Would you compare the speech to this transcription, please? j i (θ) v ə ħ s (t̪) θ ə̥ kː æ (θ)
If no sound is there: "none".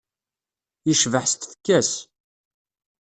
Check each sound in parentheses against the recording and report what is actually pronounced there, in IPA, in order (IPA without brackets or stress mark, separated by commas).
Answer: ʃ, t̪, s